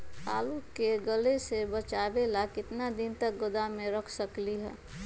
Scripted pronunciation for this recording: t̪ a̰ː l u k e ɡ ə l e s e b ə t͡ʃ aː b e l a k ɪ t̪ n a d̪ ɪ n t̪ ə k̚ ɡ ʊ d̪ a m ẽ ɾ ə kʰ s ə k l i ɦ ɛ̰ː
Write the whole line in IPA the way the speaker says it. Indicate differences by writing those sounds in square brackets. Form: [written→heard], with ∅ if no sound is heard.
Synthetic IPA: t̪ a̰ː l u k e ɡ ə l e s e b ə t͡ʃ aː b e l a k ɪ t̪ n a d̪ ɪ n t̪ ə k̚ ɡ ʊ d̪ a m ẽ ɾ ə kʰ s ə k l i ɦ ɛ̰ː